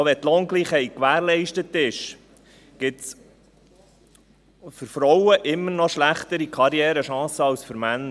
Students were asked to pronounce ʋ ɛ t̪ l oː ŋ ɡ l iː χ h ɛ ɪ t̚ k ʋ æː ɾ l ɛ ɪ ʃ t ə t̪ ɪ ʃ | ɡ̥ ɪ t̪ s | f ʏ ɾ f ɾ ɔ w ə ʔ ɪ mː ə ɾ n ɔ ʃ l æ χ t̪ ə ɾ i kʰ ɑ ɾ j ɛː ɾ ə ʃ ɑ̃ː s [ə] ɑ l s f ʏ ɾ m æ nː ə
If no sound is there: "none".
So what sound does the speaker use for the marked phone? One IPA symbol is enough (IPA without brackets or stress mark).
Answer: ə